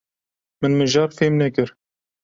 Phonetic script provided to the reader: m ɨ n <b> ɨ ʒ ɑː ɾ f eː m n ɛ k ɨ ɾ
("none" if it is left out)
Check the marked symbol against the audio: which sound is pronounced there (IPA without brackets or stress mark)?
m